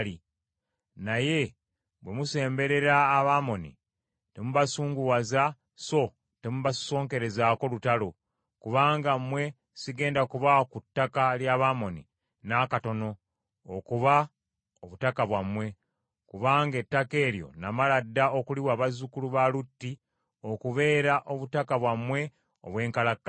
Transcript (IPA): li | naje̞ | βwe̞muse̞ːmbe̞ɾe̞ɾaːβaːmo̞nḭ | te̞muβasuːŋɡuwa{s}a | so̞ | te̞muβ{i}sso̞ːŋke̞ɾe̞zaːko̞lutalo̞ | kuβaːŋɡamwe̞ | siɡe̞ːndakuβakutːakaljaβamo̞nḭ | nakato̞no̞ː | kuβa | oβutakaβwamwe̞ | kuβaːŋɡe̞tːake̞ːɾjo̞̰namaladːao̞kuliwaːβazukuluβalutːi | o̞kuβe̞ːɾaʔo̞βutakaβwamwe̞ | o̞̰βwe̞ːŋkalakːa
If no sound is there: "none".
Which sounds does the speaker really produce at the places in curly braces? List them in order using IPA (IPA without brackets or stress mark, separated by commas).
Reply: z, a